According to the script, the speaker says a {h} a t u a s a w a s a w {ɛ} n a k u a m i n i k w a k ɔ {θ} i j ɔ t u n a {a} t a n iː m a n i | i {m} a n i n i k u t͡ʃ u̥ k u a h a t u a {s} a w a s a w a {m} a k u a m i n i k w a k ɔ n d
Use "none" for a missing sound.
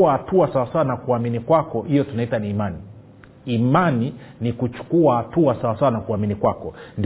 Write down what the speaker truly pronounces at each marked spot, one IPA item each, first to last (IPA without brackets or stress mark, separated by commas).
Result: h, a, h, i, m, s, n